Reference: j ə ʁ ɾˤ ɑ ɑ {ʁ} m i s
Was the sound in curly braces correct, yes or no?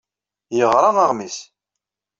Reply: yes